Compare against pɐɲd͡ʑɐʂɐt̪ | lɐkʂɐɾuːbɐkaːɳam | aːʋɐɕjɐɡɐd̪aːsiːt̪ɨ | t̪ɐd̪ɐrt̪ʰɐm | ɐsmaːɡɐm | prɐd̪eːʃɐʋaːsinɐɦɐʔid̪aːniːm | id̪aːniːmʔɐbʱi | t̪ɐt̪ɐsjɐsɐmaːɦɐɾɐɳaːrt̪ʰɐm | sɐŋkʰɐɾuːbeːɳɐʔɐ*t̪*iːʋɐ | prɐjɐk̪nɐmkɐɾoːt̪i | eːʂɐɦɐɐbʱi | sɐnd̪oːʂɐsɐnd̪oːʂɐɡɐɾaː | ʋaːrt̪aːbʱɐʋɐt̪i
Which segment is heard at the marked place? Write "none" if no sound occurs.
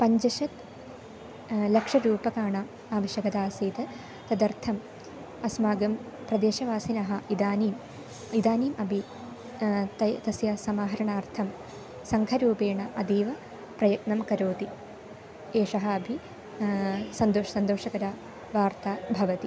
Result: d̪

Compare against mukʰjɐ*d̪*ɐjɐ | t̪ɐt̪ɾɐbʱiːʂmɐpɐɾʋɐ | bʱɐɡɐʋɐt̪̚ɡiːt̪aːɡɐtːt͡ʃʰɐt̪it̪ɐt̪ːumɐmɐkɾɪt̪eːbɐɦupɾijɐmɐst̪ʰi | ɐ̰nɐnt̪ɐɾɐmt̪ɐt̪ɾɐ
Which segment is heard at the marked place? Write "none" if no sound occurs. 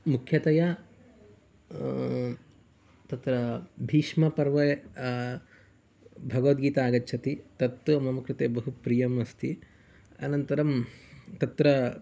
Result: t̪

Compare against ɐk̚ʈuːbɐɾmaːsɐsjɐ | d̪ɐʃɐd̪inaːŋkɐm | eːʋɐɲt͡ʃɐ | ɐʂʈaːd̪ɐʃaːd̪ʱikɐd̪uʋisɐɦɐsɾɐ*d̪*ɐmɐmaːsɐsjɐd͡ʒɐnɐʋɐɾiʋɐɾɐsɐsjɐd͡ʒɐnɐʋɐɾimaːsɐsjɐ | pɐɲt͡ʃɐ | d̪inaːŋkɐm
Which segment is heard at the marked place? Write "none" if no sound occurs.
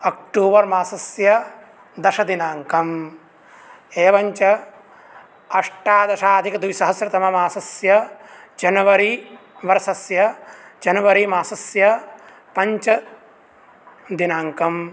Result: t̪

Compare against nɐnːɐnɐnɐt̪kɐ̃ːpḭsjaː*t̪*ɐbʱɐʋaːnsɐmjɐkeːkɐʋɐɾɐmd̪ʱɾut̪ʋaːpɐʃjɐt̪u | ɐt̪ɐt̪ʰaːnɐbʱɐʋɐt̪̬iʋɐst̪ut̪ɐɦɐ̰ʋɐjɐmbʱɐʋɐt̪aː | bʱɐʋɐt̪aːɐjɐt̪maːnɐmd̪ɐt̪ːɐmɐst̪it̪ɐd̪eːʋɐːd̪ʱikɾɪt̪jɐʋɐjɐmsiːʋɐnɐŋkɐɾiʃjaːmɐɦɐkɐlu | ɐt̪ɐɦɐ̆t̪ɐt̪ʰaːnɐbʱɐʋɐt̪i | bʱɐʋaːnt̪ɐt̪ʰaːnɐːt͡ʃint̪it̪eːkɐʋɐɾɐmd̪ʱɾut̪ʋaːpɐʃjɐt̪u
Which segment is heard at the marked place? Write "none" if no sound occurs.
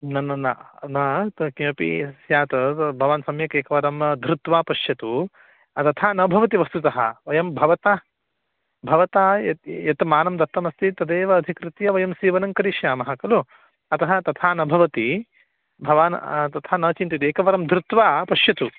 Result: t̪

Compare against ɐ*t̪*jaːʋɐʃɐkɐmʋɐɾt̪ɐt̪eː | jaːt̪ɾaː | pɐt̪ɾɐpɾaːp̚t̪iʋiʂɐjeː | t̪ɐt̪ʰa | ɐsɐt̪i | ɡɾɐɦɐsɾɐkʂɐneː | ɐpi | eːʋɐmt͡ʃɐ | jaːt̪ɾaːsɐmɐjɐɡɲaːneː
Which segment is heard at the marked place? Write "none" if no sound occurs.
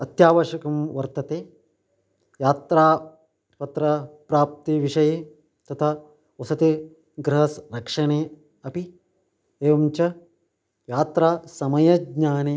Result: t̪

